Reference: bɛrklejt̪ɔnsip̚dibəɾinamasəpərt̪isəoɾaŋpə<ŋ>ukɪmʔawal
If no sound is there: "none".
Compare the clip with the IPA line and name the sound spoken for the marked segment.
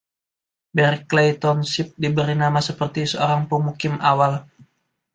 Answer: m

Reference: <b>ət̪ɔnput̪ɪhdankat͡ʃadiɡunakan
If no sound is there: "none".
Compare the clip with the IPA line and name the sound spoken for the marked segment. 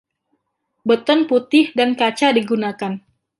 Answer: b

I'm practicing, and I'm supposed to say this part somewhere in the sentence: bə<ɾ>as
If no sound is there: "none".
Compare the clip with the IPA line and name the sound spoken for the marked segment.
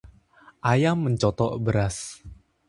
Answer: ɾ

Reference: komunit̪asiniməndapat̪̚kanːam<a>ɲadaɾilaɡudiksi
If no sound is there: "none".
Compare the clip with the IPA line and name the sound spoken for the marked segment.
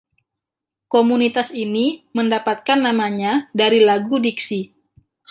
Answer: a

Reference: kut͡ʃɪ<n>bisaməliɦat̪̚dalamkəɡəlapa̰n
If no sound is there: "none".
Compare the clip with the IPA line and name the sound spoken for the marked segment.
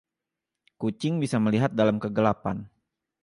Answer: ŋ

